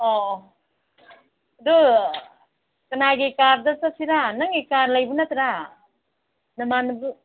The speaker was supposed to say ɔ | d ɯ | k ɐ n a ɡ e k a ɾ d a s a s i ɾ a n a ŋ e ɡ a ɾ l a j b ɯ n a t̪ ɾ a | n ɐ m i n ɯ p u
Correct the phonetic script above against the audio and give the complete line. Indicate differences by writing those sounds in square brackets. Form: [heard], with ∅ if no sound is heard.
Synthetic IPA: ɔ | d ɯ | k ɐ n a ɡ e k a ɾ d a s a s i ɾ a n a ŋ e [k] a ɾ l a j b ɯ n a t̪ ɾ a | n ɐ m [a] n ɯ [b] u